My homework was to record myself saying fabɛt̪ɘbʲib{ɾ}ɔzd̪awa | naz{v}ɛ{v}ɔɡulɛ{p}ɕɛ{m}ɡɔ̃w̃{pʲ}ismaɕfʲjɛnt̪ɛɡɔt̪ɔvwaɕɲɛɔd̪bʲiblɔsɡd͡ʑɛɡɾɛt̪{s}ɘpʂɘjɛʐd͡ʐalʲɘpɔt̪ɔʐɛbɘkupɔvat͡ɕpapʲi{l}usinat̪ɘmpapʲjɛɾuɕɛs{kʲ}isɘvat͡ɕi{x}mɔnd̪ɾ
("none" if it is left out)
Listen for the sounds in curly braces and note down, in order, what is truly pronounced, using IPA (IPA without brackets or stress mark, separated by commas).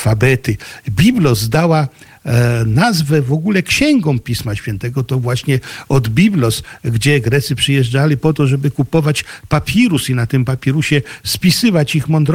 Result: l, v, v, k, ŋ, pʲ, s, ɾ, pʲ, x